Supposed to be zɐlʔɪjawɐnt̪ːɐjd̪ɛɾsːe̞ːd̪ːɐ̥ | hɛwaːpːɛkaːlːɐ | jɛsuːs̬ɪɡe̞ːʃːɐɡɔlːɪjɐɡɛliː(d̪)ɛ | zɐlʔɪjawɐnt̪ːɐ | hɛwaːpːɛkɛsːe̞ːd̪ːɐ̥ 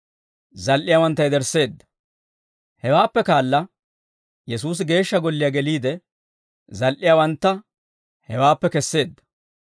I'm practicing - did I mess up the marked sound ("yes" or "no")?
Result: no